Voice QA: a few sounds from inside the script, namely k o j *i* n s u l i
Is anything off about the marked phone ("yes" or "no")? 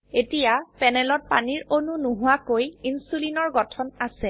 no